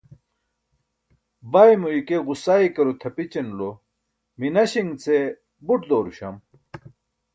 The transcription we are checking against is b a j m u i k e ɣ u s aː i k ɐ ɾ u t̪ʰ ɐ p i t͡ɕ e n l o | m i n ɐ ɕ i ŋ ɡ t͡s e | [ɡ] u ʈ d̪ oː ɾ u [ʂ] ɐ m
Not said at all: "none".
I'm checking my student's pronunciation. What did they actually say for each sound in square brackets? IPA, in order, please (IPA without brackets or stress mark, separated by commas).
b, ɕ